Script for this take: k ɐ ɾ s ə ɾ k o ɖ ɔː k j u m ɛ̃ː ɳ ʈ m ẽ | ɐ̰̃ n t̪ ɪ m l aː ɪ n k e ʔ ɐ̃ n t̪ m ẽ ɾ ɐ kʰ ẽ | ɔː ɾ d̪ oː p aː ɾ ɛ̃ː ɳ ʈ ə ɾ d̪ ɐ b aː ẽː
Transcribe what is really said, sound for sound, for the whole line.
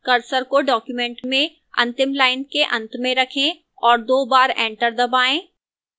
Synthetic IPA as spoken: k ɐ ɾ s ə ɾ k o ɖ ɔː k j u m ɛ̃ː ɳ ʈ m ẽ | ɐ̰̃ n t̪ ɪ m l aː ɪ n k e ʔ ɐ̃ n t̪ m ẽ ɾ ɐ kʰ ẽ | ɔː ɾ d̪ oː b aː ɾ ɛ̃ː ɳ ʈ ə ɾ d̪ ɐ b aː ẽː